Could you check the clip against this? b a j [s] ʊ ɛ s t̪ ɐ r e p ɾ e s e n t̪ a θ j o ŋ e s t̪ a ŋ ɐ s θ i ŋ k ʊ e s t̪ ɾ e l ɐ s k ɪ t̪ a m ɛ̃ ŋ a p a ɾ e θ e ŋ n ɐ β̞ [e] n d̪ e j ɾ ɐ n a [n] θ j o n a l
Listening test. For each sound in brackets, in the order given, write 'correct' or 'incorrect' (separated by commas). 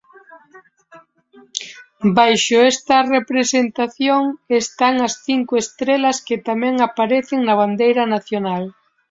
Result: incorrect, incorrect, incorrect